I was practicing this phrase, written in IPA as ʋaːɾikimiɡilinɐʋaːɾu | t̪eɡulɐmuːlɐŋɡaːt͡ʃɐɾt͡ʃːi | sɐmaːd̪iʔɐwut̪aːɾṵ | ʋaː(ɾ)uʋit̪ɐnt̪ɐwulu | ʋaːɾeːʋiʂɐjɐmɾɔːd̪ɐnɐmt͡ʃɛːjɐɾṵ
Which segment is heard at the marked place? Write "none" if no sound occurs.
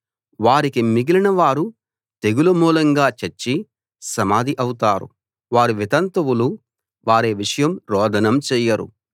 ɾ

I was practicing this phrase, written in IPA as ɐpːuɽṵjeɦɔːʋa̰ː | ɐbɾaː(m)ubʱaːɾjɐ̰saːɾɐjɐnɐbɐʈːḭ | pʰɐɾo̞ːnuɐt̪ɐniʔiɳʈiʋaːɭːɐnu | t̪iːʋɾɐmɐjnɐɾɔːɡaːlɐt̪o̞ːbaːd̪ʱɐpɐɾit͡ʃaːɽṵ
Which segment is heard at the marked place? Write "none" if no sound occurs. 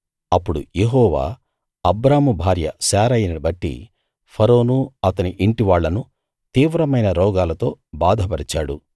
m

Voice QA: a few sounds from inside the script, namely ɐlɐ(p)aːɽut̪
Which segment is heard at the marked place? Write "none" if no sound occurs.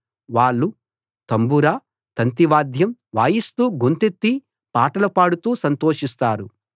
p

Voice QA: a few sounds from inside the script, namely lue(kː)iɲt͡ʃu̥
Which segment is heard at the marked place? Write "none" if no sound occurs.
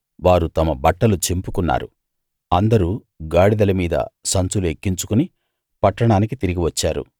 kː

